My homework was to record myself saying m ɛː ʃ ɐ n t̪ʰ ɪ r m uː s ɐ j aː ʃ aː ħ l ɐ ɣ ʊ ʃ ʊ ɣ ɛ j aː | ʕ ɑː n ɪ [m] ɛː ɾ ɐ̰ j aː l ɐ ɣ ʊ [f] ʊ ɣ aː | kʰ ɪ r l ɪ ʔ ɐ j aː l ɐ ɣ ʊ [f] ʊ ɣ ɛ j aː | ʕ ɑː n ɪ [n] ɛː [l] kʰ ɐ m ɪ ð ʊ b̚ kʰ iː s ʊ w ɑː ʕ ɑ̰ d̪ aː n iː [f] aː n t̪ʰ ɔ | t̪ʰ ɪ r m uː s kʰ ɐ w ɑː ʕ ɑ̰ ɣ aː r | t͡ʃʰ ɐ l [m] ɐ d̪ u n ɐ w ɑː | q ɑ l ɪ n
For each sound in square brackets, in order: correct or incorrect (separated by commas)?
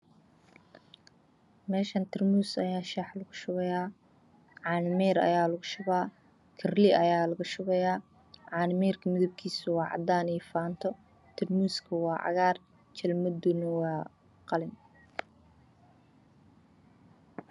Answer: correct, incorrect, incorrect, incorrect, incorrect, correct, correct